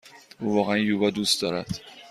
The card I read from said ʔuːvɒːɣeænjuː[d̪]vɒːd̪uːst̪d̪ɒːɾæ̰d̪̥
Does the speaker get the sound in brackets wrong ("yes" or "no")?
yes